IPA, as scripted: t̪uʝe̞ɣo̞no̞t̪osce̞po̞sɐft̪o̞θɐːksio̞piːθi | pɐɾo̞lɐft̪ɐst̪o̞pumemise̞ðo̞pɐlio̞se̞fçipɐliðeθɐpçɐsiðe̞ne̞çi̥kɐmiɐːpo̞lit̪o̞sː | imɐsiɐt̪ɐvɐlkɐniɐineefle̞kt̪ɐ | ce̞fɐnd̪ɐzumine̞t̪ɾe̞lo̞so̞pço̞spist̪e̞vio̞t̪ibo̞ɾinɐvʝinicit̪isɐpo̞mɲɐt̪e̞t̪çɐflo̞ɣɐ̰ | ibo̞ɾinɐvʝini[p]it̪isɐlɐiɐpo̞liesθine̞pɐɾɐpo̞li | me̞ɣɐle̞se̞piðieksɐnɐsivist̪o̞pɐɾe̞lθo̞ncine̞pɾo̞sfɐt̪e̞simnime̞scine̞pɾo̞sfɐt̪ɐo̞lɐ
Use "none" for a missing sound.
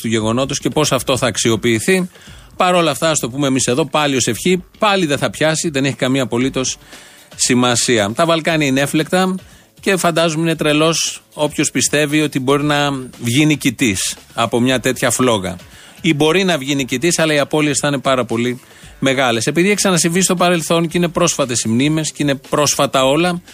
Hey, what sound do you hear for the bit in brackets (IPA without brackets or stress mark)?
c